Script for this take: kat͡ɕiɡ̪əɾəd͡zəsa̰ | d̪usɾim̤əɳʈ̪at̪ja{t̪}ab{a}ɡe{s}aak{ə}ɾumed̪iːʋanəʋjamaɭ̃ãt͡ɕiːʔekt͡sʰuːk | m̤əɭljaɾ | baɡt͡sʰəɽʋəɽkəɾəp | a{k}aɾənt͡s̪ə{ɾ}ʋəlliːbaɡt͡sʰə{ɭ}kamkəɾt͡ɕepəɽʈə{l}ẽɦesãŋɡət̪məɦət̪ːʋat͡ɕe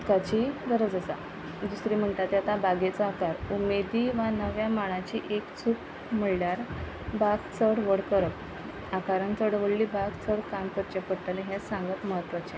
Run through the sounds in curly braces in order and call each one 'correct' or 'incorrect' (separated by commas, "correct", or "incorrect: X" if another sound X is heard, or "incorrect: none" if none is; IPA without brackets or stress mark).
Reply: correct, correct, incorrect: t͡s, incorrect: a, correct, incorrect: ɽ, incorrect: ɽ, correct